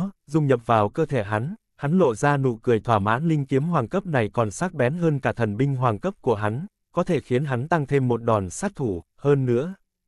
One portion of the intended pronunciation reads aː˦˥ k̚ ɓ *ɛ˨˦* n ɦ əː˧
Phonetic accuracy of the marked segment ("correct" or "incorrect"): correct